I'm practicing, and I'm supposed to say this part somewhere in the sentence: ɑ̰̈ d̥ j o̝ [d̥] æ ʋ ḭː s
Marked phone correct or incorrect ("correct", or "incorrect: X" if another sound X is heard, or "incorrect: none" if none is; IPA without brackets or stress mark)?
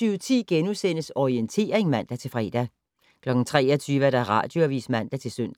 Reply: incorrect: none